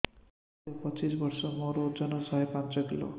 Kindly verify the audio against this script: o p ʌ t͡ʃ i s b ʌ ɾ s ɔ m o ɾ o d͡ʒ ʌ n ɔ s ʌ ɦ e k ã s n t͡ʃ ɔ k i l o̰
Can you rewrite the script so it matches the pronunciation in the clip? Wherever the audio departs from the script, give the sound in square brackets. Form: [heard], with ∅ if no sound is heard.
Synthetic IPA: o p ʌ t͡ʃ i s b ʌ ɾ s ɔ m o ɾ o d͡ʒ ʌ n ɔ s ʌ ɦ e [p] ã [∅] n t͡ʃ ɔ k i l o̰

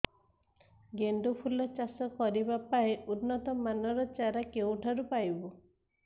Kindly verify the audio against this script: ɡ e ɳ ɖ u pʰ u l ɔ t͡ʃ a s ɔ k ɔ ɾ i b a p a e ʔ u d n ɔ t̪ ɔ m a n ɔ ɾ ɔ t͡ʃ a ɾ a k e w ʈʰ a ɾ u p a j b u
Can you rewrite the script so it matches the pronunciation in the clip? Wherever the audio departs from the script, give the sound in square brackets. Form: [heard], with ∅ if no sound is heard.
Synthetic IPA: ɡ e ɳ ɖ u pʰ u l ɔ t͡ʃ a s ɔ k ɔ ɾ i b a p a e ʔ u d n ɔ t̪ ɔ m a n ɔ ɾ ɔ t͡ʃ a ɾ a k e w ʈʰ a ɾ u p a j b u

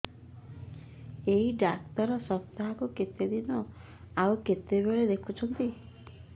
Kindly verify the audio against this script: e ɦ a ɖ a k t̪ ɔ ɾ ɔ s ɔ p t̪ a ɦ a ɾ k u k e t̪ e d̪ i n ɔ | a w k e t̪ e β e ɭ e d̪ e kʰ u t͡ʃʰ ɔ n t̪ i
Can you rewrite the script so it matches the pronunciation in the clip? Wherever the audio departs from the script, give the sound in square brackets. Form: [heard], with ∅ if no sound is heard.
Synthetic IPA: e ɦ [i] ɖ a k t̪ ɔ ɾ ɔ s ɔ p t̪ a ɦ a [∅] k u k e t̪ e d̪ i n ɔ | a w k e t̪ e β e ɭ e d̪ e kʰ u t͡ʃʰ ɔ n t̪ i

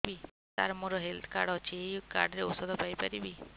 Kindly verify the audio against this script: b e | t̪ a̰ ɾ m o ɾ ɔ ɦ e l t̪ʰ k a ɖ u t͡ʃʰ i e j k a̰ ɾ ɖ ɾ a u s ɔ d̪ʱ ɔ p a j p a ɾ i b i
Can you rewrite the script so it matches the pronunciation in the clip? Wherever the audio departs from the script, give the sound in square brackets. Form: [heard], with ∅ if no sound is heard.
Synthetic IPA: b [i] | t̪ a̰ ɾ m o ɾ ɔ ɦ e l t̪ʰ k a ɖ [ɔ] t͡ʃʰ i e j k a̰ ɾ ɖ ɾ [e] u s ɔ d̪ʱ ɔ p a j p a ɾ i b i

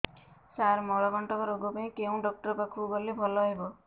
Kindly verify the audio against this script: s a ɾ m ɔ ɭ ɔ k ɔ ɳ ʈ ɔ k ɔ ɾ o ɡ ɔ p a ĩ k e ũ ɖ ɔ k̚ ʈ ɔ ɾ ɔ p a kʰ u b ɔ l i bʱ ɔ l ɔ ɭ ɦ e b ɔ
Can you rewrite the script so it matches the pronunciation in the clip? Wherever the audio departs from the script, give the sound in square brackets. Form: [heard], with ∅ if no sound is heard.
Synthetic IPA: s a ɾ m ɔ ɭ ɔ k ɔ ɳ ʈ ɔ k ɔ ɾ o ɡ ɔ p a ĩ k e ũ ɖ ɔ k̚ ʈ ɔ ɾ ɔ p a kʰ u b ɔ l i bʱ ɔ l ɔ [∅] ɦ e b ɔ

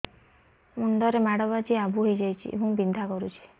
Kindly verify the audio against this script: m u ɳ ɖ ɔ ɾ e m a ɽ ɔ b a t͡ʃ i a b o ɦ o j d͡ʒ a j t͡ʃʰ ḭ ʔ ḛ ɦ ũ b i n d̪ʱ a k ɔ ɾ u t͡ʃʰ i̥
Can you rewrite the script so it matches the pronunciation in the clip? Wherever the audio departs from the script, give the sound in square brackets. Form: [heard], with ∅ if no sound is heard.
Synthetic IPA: m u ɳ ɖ ɔ ɾ e m a ɽ ɔ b a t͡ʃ i a b [u] ɦ o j d͡ʒ a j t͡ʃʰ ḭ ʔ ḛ ɦ ũ b i n d̪ʱ a k ɔ ɾ u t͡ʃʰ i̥

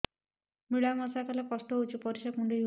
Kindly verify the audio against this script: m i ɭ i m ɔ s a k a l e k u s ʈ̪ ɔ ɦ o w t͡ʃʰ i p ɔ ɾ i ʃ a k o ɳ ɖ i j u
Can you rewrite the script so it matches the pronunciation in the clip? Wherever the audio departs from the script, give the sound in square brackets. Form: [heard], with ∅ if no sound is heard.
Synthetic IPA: m i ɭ [a] m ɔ s a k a l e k [ɔ] s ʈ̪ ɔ ɦ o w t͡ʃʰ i p ɔ ɾ i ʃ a k [u] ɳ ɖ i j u

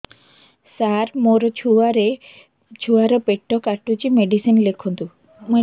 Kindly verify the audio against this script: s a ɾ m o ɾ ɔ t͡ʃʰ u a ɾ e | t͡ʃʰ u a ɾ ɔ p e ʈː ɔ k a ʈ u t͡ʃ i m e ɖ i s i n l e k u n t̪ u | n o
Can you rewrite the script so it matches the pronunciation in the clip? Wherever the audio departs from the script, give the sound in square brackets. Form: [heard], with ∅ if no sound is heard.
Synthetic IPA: s a ɾ m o ɾ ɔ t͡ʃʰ u a ɾ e | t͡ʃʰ u a ɾ ɔ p e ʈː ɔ k a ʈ u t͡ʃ i m e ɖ i s i n l e [kʰ] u n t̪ u | [m] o

